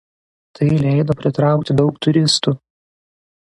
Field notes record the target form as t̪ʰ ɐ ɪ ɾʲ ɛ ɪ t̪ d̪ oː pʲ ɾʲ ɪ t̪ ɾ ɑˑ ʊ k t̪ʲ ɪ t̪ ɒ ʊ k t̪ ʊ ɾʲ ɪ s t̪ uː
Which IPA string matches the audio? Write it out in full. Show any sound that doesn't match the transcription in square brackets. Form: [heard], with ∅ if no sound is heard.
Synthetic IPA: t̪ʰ ɐ ɪ [lʲ] ɛ ɪ [∅] d̪ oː pʲ ɾʲ ɪ t̪ ɾ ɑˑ ʊ k t̪ʲ ɪ [d̪] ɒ ʊ k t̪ ʊ ɾʲ ɪ s t̪ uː